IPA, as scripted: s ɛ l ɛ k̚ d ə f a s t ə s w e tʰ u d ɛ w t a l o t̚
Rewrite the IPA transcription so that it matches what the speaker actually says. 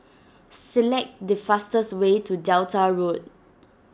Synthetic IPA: s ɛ l ɛ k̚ d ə f a s t ə s w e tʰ u d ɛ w t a ɹ o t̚